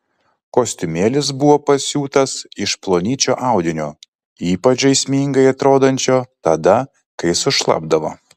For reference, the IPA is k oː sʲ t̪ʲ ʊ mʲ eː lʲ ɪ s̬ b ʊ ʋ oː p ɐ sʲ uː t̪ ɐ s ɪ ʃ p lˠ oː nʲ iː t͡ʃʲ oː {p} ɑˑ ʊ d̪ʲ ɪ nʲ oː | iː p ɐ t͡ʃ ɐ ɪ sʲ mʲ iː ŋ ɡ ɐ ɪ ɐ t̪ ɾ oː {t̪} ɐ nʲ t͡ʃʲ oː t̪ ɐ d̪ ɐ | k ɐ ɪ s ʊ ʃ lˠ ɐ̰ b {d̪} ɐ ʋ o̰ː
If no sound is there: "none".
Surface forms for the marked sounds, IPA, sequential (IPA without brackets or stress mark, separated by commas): ʔ, d̪, d̪